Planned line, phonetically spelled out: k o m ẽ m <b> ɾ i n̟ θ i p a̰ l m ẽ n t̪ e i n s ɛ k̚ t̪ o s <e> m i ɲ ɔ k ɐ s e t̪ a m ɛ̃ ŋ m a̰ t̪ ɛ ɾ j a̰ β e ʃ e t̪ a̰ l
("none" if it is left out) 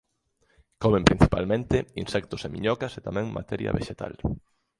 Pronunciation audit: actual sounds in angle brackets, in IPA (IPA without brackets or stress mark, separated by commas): p, e